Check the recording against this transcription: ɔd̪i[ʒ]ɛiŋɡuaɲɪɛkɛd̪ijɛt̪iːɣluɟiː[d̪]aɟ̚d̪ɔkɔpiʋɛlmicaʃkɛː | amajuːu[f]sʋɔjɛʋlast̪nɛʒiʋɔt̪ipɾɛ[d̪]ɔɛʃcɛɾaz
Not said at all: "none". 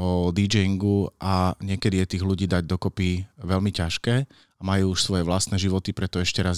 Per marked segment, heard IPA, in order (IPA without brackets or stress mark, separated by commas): d͡ʒ, d̪, ʃ, t̪